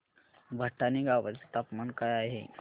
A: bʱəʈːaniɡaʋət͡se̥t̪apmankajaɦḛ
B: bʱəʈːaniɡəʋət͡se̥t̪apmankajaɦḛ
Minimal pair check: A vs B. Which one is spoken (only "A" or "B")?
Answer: A